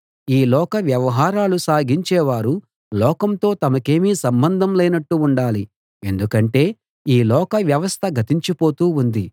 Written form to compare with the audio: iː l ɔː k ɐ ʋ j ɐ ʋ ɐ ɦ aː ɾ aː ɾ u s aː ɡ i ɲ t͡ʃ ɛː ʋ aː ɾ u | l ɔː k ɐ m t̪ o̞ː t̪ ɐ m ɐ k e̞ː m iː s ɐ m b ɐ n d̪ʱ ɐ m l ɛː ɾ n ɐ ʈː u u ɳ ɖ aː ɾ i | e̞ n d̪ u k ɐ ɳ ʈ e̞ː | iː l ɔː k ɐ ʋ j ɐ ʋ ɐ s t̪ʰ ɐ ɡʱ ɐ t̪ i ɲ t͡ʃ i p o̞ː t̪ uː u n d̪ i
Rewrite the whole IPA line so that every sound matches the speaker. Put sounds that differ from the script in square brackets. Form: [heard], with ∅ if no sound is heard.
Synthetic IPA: iː l ɔː k ɐ ʋ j ɐ ʋ ɐ ɦ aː ɾ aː [l] u s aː ɡ i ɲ t͡ʃ ɛː ʋ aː ɾ u | l ɔː k ɐ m t̪ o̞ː t̪ ɐ m ɐ k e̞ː m iː s ɐ m b ɐ n d̪ʱ ɐ m l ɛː [∅] n ɐ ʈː u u ɳ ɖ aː [l] i | e̞ n d̪ u k ɐ ɳ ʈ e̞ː | iː l ɔː k ɐ ʋ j ɐ ʋ ɐ s t̪ʰ ɐ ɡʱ ɐ t̪ i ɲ t͡ʃ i p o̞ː t̪ uː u n d̪ i